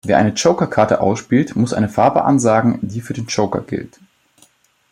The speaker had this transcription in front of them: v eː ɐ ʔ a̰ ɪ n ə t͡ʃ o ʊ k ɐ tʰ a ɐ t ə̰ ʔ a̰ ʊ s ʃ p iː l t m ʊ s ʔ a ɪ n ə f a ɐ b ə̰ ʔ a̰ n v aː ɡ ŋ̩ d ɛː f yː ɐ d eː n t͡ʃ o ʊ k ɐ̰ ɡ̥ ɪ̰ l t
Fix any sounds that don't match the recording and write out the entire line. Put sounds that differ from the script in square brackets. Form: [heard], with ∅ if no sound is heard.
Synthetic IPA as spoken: v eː ɐ ʔ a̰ ɪ n ə t͡ʃ o ʊ k ɐ [kʰ] a ɐ t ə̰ ʔ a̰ ʊ s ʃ p iː l t m ʊ s ʔ a ɪ n ə f a ɐ b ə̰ ʔ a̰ n [z] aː ɡ ŋ̩ d [iː] f yː ɐ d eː n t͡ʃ o ʊ k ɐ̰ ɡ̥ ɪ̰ l t